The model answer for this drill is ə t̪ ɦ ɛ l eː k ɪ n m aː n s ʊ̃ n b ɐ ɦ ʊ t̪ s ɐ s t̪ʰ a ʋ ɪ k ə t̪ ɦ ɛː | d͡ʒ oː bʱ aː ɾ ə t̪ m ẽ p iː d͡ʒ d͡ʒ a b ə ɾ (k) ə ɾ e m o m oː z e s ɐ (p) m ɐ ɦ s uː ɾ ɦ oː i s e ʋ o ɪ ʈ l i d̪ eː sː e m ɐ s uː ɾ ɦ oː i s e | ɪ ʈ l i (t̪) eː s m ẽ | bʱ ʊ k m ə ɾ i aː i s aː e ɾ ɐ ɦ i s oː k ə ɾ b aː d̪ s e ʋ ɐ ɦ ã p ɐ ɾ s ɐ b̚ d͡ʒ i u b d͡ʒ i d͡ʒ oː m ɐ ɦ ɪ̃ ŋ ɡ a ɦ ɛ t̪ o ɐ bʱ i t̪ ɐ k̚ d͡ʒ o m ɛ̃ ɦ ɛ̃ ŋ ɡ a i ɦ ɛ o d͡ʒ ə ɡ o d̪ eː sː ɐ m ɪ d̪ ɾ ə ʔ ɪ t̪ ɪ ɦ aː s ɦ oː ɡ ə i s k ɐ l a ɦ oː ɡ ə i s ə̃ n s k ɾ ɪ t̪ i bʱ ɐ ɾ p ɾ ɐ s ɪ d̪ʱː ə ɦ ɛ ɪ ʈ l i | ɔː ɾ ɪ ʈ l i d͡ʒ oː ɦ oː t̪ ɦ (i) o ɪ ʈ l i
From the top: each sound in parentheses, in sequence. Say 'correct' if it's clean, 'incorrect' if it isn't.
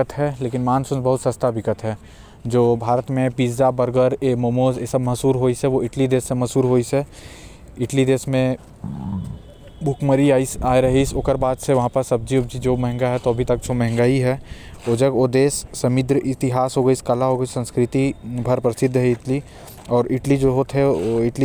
incorrect, incorrect, incorrect, incorrect

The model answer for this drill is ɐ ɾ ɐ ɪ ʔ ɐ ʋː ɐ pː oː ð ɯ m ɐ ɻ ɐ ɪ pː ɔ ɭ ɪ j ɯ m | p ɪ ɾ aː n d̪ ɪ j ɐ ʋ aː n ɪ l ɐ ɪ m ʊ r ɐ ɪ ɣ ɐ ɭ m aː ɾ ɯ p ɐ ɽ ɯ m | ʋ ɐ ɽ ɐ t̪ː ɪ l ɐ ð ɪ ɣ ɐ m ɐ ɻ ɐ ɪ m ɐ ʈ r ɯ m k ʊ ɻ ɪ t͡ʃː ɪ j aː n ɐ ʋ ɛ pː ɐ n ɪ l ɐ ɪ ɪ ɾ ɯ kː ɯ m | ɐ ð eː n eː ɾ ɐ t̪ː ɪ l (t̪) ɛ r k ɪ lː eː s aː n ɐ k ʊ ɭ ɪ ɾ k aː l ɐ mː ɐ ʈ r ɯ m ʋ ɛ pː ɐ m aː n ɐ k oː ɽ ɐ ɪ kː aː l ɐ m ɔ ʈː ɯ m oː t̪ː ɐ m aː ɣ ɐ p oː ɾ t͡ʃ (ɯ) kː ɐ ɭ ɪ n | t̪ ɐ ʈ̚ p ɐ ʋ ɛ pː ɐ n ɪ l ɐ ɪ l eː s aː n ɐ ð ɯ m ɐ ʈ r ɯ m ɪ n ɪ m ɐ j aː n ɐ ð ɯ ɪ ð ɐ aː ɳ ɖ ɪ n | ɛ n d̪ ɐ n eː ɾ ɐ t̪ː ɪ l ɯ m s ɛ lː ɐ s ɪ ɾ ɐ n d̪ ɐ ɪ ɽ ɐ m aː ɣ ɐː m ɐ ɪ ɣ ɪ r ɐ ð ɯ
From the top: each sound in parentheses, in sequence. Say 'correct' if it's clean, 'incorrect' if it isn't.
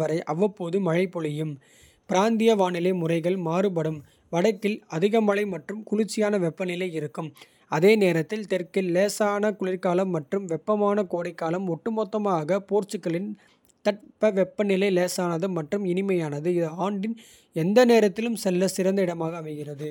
correct, correct

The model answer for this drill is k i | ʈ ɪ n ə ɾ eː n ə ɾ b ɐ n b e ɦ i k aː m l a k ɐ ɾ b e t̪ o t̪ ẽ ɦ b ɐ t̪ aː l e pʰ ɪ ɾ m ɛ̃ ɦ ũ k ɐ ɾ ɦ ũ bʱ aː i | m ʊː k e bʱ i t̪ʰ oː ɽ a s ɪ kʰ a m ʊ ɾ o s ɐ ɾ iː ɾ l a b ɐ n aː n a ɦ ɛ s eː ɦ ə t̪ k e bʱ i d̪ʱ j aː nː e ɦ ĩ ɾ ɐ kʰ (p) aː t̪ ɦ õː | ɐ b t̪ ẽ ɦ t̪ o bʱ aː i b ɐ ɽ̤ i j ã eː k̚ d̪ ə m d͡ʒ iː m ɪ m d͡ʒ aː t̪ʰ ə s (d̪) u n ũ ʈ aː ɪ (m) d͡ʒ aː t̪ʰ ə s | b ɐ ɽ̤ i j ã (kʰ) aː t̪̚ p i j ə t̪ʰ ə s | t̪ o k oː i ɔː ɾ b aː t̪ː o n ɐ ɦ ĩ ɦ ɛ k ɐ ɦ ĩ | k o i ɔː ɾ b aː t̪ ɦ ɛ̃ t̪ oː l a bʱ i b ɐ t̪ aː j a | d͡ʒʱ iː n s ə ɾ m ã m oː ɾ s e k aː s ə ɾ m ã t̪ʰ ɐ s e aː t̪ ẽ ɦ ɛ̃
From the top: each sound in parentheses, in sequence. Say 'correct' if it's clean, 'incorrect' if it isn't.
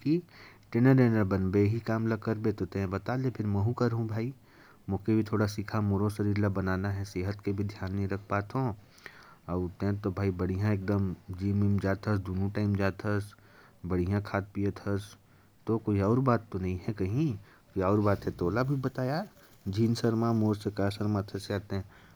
correct, correct, correct, correct

